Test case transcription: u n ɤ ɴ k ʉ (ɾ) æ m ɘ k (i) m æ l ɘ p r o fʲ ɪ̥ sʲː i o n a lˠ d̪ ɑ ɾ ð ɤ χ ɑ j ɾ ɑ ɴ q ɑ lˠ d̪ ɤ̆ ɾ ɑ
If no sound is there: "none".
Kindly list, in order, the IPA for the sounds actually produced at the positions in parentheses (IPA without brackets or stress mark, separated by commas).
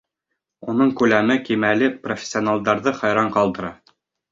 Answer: l, i